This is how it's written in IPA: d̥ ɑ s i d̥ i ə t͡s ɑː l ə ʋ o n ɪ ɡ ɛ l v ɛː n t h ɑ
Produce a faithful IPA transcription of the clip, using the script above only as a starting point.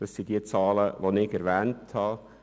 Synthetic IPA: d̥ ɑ s i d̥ i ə t͡s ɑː l ə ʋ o n ɪ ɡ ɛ ɾ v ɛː n t h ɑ